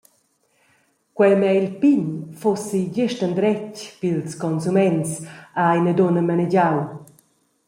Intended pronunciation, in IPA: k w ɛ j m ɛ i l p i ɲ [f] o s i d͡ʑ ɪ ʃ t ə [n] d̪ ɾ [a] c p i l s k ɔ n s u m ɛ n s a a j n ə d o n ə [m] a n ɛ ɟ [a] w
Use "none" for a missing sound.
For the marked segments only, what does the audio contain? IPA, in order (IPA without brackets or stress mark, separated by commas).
f, n, ɛ, m, a